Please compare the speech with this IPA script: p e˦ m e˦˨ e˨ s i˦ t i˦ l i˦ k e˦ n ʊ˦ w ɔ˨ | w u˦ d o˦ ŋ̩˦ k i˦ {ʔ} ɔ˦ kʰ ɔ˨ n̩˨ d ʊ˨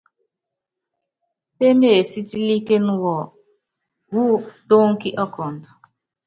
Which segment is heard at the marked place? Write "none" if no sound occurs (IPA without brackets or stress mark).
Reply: ʔ